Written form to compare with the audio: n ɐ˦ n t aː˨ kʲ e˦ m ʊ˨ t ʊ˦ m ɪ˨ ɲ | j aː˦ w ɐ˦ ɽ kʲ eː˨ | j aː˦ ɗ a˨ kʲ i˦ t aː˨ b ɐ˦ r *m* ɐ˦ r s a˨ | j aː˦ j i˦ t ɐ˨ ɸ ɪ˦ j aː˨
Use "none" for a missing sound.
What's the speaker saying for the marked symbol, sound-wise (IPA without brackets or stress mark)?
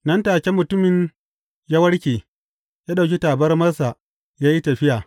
m